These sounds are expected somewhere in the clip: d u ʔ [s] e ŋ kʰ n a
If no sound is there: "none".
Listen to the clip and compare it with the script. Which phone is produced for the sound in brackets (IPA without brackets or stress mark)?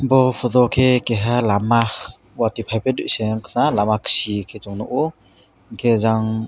s